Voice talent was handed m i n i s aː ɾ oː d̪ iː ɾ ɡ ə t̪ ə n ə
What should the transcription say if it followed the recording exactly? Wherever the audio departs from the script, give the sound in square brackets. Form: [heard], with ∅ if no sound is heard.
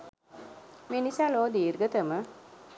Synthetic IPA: m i n i s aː [l] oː d̪ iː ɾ ɡ ə t̪ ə [m] ə